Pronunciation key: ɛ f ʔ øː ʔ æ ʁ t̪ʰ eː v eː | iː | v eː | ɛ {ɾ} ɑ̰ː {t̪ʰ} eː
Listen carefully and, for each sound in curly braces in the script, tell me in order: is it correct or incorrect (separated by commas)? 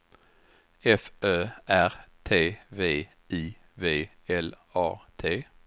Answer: incorrect, correct